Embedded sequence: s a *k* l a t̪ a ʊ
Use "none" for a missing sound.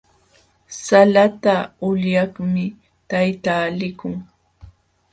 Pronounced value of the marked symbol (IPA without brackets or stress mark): none